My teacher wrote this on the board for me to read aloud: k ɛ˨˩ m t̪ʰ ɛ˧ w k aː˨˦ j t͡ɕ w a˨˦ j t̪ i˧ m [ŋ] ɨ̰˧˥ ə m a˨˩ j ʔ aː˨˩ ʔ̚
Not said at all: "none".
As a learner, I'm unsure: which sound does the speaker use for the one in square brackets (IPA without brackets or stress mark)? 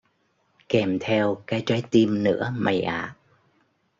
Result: n